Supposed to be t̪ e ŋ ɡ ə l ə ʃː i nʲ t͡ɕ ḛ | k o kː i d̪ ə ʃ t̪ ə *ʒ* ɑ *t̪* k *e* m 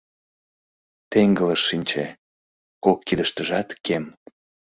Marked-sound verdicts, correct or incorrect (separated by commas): correct, correct, correct